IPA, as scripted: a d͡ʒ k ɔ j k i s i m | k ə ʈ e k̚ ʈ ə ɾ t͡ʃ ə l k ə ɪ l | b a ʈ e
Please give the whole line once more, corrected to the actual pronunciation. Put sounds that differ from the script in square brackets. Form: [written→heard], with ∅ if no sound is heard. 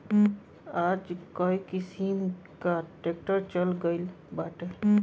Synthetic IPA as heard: a d͡ʒ k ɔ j k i s i m | k [ə→a] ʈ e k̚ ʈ ə ɾ t͡ʃ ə l [k→ɡ] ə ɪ l | b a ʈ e